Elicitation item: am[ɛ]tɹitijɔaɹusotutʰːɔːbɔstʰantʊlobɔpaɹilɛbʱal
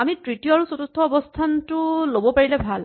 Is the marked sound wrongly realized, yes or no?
yes